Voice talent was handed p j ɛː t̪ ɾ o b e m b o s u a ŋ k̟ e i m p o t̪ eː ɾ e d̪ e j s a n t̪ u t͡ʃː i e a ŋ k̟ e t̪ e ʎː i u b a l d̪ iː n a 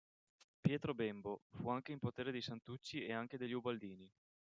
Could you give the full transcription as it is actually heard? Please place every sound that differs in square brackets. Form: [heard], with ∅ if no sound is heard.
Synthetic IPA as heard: p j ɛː t̪ ɾ o b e m b o [f] u a ŋ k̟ e i m p o t̪ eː ɾ e d̪ e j s a n t̪ u t͡ʃː i e a ŋ k̟ e [d̪] e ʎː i u b a l d̪ iː n [i]